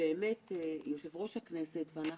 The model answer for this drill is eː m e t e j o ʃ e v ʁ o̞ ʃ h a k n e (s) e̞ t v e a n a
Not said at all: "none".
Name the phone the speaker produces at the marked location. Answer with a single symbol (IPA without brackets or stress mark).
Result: s